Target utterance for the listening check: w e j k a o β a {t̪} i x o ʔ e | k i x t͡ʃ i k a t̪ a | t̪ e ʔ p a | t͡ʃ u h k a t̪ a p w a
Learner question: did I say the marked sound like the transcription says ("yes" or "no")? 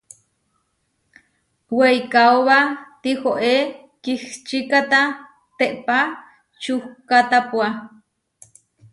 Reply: yes